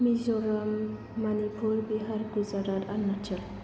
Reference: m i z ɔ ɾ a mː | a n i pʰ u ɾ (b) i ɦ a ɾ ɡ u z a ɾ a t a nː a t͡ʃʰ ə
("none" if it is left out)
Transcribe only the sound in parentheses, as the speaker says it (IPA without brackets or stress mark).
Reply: b